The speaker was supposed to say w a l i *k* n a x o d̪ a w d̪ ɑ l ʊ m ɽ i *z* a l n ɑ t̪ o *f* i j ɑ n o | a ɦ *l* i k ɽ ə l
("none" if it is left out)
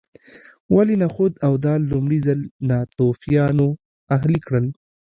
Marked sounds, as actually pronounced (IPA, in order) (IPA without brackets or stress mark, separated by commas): none, z, f, l